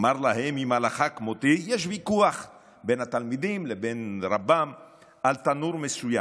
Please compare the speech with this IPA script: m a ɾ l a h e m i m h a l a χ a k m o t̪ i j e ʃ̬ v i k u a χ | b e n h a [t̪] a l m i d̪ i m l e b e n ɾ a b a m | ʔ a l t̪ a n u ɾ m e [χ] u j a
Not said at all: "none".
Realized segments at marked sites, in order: t̪, s

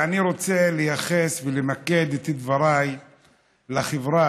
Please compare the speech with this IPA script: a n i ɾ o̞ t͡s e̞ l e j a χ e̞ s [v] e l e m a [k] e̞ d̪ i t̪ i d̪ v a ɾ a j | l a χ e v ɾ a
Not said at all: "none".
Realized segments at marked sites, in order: v, k

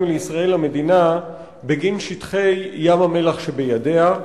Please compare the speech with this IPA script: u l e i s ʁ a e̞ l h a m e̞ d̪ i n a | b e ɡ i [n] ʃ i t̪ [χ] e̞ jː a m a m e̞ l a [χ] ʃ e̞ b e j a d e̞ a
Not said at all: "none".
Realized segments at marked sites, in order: n, χ, χ

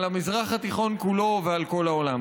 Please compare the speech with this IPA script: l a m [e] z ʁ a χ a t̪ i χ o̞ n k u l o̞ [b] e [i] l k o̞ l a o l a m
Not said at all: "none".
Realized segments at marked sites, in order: i, v, a

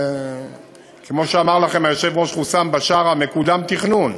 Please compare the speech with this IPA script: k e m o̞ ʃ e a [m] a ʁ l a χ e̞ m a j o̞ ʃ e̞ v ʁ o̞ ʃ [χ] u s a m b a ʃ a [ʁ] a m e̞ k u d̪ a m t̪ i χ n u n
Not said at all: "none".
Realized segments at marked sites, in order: m, χ, ʁ

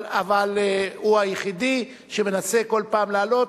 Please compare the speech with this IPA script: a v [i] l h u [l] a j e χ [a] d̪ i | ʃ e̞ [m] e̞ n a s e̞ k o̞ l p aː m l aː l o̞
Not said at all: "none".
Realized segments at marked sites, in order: a, none, i, m

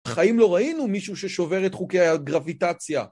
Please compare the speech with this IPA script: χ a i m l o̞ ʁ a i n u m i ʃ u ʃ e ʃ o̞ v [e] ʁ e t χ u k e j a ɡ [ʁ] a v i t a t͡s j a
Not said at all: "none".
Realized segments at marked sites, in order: e, ʁ

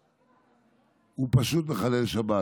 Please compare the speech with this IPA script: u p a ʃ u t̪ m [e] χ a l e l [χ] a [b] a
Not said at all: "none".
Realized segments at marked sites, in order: e, ʃ, b

